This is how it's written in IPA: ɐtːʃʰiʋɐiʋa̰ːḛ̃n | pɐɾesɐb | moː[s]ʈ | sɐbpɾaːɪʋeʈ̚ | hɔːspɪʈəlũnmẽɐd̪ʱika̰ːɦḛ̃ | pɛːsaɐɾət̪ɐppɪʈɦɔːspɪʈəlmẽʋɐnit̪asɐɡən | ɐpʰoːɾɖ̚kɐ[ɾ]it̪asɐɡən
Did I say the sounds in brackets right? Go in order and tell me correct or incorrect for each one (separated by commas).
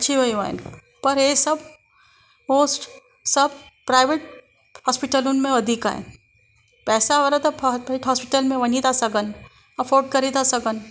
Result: correct, correct